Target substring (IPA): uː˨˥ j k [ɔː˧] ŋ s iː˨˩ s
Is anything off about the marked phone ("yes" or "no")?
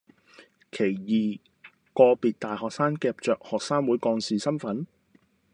no